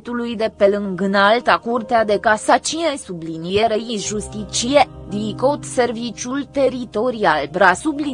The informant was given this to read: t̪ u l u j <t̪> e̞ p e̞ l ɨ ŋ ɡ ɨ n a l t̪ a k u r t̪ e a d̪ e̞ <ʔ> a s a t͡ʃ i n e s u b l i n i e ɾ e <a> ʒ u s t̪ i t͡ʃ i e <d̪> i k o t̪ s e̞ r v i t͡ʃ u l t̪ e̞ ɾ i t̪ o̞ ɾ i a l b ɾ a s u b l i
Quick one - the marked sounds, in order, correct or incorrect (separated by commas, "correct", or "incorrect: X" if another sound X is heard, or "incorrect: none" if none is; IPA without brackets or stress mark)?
incorrect: d̪, incorrect: k, incorrect: i, correct